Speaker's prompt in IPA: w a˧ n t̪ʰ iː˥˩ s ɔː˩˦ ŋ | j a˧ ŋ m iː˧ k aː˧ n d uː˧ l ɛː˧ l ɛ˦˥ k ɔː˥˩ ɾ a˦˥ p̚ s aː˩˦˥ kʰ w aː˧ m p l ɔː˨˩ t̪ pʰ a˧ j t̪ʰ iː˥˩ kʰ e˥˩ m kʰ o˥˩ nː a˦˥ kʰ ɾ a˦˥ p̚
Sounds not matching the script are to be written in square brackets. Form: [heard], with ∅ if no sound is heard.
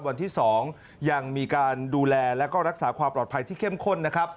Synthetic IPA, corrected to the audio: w a˧ n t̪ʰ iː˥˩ s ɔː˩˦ ŋ | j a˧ ŋ m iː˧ k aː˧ n d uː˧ l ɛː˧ l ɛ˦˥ k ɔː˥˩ ɾ a˦˥ [k̚] s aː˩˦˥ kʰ w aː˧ m p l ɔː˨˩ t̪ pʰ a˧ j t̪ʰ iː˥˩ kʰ e˥˩ m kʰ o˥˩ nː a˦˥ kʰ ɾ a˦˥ p̚